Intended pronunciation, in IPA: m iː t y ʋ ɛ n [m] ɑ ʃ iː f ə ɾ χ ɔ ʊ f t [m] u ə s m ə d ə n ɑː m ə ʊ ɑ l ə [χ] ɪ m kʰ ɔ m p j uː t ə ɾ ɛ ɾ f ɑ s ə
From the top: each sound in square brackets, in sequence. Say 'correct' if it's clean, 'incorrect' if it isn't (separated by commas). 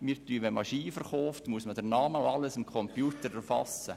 correct, correct, incorrect